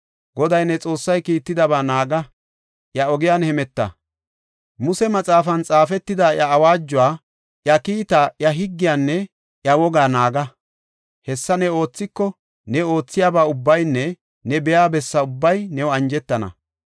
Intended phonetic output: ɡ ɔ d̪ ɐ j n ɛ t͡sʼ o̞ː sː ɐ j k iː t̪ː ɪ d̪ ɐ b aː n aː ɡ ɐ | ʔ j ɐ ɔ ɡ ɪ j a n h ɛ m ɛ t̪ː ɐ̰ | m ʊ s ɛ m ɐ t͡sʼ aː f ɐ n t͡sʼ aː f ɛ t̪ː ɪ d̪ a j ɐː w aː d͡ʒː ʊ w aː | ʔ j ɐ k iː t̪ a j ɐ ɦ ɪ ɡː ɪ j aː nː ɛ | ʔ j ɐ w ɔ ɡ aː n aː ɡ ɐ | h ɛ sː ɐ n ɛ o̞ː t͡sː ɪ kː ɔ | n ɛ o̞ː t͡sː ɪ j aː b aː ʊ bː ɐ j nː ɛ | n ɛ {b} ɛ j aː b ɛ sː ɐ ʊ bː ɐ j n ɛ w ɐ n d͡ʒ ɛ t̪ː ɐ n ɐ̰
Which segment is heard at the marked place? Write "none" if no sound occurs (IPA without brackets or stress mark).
b